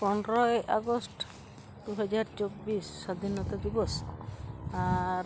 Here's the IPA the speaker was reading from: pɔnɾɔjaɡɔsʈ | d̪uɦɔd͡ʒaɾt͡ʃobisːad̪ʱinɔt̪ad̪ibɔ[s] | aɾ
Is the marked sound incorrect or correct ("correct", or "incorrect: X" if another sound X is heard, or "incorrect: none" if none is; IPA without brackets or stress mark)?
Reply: correct